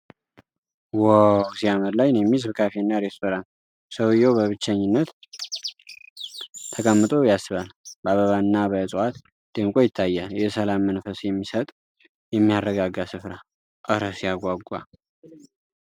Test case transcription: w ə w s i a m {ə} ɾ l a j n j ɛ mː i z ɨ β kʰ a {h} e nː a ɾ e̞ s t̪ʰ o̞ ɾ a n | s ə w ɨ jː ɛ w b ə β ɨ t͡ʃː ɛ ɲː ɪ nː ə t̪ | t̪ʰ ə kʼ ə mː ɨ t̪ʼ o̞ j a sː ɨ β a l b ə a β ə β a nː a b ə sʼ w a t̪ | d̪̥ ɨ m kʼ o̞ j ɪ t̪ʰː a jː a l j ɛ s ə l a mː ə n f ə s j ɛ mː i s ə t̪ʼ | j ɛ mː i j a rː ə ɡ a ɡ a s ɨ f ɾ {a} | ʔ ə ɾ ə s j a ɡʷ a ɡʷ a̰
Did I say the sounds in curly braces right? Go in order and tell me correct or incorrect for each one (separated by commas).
correct, incorrect, correct